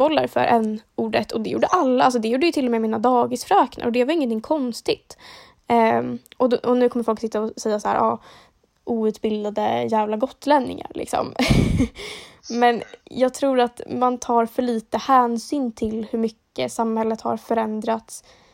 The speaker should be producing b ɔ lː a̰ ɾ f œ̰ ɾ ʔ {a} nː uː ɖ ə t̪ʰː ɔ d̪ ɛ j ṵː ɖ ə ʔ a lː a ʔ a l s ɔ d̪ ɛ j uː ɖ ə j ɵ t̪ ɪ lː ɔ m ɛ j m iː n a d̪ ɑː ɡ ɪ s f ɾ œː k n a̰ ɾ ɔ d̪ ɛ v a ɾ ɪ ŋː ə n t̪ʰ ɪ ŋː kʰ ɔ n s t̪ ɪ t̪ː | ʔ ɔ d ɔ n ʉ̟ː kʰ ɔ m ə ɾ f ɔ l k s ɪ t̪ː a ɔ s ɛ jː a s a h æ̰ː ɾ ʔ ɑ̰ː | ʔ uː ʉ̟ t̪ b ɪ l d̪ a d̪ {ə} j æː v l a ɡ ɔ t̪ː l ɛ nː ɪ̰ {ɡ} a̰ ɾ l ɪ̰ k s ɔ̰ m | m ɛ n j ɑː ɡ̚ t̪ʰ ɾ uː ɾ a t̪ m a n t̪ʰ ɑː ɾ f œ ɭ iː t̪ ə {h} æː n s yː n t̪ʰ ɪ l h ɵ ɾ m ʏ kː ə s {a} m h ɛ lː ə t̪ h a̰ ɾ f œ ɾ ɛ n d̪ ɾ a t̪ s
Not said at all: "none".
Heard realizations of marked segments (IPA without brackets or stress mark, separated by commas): ɛ, ə, ŋ, h, a